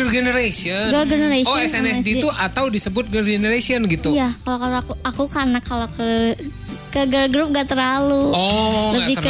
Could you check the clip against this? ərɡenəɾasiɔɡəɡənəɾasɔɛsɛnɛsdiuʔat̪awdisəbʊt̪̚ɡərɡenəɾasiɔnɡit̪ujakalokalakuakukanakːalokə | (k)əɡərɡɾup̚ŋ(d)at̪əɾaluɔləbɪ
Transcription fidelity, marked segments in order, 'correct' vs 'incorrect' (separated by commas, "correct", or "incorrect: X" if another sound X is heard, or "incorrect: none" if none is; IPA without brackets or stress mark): correct, incorrect: ɡ